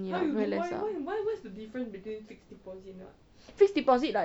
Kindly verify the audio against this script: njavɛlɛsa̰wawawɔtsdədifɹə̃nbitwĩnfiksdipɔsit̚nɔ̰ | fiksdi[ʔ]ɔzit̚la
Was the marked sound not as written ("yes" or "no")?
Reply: yes